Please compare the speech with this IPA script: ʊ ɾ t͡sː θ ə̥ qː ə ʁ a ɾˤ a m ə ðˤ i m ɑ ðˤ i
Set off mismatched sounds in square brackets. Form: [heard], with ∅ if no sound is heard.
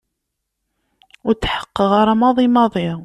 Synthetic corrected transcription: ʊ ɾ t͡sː [ħ] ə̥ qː ə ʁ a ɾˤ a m [ɑ] ðˤ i m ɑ ðˤ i

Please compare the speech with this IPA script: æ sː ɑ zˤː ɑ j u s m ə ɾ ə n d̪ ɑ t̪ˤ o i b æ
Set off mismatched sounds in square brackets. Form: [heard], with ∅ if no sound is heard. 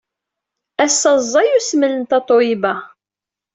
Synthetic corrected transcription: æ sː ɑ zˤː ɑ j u s m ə [l] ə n [t̪] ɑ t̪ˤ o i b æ

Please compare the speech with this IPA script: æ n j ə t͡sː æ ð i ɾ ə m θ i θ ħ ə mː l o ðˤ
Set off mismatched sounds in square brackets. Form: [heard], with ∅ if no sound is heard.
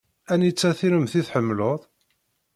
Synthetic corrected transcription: æ n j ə t͡sː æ [θ] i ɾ ə m θ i θ ħ ə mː l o ðˤ

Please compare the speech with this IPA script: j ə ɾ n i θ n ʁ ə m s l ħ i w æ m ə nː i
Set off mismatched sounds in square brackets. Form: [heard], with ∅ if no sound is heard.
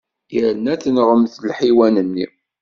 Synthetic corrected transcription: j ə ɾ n [æ] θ n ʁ ə m [θ] l ħ i w æ [n] ə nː i

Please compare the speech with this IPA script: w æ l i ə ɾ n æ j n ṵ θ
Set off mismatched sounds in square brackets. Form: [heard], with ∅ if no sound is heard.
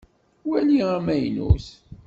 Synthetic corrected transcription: w æ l i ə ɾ [m] æ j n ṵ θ

